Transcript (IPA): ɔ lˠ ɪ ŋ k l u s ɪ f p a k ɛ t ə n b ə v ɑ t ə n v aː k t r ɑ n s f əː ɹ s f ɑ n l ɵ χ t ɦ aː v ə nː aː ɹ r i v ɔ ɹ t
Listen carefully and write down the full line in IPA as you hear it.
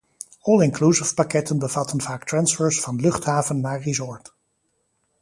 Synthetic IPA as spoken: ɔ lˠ ɪ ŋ k l u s ɪ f p a k ɛ t ə n b ə v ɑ t ə n v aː k t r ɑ n s f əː ɹ s f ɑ n l ɵ χ t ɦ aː v ə nː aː ɹ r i z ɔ ɹ t